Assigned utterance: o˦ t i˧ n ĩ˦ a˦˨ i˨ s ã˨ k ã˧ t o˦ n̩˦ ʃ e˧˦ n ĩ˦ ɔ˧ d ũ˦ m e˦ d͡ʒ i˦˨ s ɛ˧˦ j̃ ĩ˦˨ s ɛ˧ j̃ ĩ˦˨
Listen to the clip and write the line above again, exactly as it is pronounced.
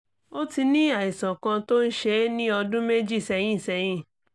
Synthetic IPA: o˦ t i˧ n ĩ˦ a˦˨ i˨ s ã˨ k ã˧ t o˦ n̩˦ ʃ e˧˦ n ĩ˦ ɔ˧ d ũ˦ m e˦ d͡ʒ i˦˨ s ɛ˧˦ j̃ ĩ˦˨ s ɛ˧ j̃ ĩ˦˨

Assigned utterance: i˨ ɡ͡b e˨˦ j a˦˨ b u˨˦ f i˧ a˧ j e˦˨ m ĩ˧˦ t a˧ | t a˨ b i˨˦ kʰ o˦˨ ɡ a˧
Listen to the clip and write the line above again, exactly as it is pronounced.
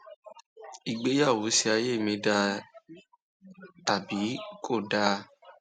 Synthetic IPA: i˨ ɡ͡b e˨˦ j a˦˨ w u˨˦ s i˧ a˧ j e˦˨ m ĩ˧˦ d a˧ | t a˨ b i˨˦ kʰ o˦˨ d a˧

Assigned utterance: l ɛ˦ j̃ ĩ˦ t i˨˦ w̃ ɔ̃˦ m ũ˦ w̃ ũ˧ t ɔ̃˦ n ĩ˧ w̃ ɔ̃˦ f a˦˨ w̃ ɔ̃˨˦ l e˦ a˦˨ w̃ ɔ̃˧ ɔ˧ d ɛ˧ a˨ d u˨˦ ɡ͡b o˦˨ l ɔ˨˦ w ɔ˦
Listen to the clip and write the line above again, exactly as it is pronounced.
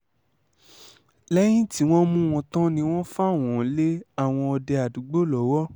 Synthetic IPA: l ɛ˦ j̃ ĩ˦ t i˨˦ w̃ ɔ̃˦ m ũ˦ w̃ ɔ̃˧ t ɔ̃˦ n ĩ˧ w̃ ɔ̃˦ f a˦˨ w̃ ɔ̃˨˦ l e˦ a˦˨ w̃ ɔ̃˧ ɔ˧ d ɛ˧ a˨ d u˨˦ ɡ͡b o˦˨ l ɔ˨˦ w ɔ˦

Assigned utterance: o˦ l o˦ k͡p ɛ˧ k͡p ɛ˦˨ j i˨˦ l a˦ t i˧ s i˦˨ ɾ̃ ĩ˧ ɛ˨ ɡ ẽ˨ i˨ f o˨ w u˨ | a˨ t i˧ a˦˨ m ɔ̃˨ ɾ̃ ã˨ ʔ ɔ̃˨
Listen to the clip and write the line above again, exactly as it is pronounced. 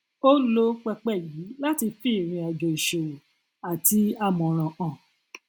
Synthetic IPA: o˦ l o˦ k͡p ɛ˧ k͡p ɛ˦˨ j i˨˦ l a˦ t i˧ f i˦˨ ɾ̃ ĩ˧ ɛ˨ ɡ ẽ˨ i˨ ʃ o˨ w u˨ | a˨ t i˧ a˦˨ m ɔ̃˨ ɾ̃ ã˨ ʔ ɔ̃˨

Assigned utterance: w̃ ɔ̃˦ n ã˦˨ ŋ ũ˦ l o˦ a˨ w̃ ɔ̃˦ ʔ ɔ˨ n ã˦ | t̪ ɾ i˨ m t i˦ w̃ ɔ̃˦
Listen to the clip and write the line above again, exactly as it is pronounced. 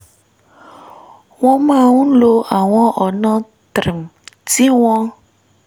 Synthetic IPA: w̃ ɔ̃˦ m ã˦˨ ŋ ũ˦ l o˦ a˨ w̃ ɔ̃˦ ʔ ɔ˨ n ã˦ | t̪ ɾ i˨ m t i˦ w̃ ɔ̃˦

